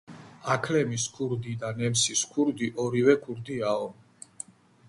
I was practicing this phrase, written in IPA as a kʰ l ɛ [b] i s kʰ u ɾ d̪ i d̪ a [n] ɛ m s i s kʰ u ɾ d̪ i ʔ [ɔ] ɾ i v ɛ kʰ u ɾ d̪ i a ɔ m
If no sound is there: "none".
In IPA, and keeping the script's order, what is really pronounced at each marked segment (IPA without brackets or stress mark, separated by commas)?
m, n, ɔ